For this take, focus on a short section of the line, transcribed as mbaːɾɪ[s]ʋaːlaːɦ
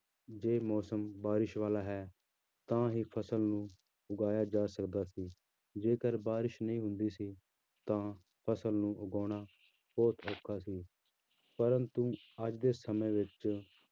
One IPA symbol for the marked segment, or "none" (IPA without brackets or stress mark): ʃ